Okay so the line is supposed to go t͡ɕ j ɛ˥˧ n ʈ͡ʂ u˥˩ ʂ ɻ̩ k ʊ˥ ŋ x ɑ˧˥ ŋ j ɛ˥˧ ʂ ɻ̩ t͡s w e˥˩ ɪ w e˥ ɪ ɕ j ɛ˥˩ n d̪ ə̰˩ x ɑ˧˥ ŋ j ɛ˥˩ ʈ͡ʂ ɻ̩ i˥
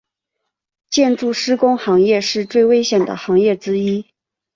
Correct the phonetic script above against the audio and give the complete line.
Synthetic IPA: t͡ɕ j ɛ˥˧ n ʈ͡ʂ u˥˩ ʂ ɻ̩ k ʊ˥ ŋ x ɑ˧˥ ŋ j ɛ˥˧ ʂ ɻ̩ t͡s w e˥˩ ɪ w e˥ ɪ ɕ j ɛ˨˩ n d̪ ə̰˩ x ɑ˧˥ ŋ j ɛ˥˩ ʈ͡ʂ ɻ̩ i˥